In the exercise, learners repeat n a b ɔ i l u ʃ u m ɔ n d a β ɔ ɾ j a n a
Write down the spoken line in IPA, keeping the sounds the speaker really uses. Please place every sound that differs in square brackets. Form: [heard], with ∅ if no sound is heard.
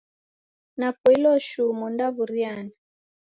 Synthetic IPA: n a [p] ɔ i l [ɔ] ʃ u m ɔ n d a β [u] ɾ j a n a

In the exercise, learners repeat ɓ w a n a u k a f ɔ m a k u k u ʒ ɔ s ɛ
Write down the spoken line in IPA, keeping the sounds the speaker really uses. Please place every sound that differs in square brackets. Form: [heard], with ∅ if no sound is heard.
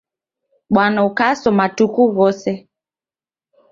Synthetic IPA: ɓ w a n a u k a [s] ɔ m a [t] u k u [ɣ] ɔ s ɛ

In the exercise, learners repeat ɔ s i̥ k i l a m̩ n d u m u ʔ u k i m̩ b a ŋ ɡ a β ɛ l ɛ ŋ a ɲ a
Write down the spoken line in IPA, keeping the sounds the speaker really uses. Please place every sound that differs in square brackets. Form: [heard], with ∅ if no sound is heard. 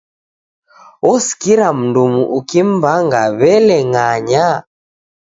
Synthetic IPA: ɔ s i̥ k i [ɾ] a m̩ n d u m u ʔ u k i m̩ b a ŋ ɡ a β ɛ l ɛ ŋ a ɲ a

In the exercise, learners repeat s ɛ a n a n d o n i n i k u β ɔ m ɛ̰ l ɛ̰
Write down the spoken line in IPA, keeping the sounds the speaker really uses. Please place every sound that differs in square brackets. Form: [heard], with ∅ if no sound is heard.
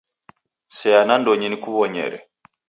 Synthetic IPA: s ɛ a n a n d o [ɲ] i n i k u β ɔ [ɲ] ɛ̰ [ɾ] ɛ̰

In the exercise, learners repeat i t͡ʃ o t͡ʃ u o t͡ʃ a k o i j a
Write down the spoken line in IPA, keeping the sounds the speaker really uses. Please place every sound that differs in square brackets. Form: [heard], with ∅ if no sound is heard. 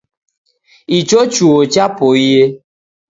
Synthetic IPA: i t͡ʃ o t͡ʃ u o t͡ʃ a [p] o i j [e]

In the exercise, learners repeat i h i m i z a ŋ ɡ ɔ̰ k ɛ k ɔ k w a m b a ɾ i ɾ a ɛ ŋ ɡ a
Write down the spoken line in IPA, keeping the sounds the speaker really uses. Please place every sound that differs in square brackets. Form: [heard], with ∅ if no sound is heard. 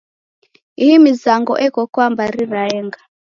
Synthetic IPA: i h i m i z a ŋ ɡ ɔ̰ [ʔ] ɛ k ɔ k w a m b a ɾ i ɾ a ɛ ŋ ɡ a

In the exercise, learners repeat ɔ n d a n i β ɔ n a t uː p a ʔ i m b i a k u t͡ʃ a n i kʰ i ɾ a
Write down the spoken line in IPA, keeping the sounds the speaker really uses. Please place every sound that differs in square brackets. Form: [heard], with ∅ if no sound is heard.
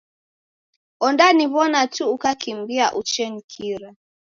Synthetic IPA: ɔ n d a n i β ɔ n a t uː [k] a [k] i m b i a [ʔ] u t͡ʃ [ɛ] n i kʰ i ɾ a

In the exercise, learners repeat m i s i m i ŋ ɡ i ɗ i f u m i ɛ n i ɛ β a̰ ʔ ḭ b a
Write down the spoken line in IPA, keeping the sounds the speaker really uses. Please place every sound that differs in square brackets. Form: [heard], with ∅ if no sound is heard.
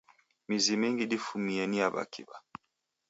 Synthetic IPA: m i [z] i m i ŋ ɡ i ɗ i f u m i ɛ n i [a] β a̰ [k] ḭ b a

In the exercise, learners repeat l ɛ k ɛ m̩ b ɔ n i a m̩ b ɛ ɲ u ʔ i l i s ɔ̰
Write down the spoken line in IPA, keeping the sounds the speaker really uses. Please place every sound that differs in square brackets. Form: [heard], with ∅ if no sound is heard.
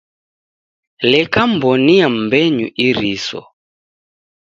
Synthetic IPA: l ɛ k [a] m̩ b ɔ n i a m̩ b ɛ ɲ u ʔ i [ɾ] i s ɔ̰

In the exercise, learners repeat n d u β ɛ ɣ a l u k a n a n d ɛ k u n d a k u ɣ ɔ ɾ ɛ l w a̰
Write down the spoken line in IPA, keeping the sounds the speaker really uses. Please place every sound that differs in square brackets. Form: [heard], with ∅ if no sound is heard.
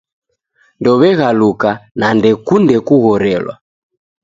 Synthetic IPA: n d [ɔ] β ɛ ɣ a l u k a n a n d ɛ k u n d [ɛ] k u ɣ ɔ ɾ ɛ l w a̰

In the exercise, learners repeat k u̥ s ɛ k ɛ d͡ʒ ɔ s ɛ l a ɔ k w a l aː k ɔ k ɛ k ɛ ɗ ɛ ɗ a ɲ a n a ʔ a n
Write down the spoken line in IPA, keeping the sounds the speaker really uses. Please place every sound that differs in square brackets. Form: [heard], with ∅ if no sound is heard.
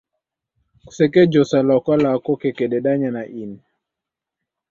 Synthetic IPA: k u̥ s ɛ k ɛ d͡ʒ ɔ s [a] l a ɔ k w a l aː k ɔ k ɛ k ɛ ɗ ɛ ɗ a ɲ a n a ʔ [i] n

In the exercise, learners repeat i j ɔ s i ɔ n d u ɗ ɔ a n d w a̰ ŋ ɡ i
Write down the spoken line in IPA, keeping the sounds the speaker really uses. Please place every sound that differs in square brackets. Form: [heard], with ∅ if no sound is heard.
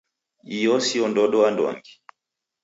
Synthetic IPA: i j ɔ s i ɔ n d [ɔ] ɗ ɔ a n d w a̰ ŋ ɡ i

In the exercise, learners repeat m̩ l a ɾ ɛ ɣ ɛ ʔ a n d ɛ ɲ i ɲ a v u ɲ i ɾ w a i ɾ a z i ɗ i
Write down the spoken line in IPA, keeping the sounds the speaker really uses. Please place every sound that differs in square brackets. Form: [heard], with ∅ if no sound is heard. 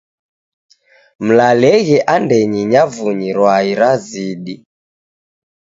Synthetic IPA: m̩ l a [l] ɛ ɣ ɛ ʔ a n d ɛ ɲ i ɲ a v u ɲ i ɾ w a i ɾ a z i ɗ i

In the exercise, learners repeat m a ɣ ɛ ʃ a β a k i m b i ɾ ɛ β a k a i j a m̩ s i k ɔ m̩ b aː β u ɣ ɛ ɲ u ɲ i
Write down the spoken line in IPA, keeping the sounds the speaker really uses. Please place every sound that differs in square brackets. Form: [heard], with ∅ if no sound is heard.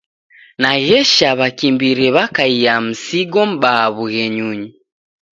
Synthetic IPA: [n] a ɣ ɛ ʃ a β a k i m b i ɾ ɛ β a k a i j a m̩ s i [ɡ] ɔ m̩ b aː β u ɣ ɛ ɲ u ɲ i

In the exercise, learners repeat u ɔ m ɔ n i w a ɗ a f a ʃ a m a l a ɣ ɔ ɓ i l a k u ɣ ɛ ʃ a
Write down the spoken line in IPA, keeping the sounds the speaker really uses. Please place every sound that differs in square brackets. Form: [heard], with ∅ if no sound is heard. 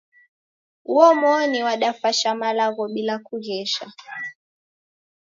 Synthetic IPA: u ɔ m ɔ n i w a ɗ a f a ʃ a m a l a ɣ ɔ ɓ i l a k u ɣ ɛ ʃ a

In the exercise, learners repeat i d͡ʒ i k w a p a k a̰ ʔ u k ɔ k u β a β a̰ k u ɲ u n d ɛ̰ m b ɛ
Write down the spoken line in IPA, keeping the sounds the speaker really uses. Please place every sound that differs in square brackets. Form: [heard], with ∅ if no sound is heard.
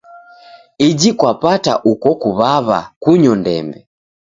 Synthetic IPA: i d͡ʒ i k w a p a [t] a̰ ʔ u k ɔ k u β a β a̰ k u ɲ [ɔ] n d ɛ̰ m b ɛ

